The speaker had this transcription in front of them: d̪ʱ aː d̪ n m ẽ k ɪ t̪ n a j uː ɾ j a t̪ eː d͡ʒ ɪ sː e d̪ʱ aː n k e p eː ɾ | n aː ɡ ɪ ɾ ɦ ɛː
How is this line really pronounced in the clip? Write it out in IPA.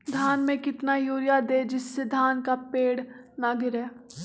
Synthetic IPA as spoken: d̪ʱ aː n m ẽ k ɪ t̪ n a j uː ɾ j a d̪ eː d͡ʒ ɪ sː e d̪ʱ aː n k a p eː ɽ | n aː ɡ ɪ ɾ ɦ ɛː